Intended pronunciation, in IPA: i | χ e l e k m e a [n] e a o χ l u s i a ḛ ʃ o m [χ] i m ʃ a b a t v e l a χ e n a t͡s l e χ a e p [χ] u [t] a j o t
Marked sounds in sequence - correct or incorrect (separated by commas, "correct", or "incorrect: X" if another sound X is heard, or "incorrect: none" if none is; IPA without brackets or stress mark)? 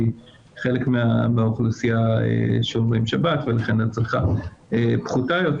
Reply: incorrect: m, incorrect: ʁ, correct, correct